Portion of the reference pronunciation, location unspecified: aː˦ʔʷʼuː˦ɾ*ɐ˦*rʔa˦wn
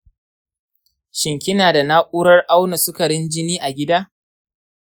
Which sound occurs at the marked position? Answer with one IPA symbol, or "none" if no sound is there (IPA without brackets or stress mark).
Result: ɐ˦